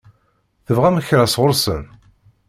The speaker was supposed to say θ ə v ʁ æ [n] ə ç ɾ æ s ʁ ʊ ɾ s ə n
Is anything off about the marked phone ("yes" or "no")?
yes